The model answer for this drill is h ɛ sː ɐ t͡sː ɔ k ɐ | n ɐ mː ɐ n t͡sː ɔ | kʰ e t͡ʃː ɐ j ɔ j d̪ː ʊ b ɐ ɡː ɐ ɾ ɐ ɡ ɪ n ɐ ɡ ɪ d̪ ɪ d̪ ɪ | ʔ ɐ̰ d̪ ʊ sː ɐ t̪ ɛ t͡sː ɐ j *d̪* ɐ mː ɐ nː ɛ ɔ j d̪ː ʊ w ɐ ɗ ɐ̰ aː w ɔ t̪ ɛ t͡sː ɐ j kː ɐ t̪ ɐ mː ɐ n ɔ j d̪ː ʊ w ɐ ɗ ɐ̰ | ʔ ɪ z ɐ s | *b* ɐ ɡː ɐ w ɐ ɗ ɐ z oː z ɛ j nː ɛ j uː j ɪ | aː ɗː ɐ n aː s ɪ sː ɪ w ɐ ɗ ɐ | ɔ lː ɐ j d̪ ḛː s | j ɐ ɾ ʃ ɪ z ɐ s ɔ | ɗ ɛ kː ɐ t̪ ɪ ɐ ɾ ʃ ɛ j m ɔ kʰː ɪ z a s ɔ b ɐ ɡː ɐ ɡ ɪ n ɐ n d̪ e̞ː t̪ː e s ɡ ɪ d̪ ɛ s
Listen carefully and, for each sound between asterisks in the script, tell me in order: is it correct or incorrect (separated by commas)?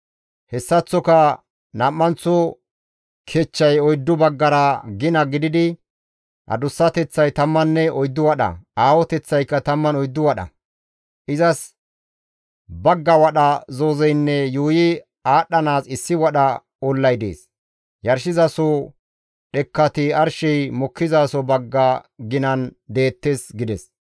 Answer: incorrect, correct